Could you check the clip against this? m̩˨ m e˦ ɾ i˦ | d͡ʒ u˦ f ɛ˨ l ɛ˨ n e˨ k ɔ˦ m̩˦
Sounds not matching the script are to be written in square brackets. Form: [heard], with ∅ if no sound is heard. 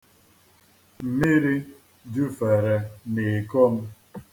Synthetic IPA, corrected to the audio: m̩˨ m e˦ ɾ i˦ | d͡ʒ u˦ f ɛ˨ [ɾ] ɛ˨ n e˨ k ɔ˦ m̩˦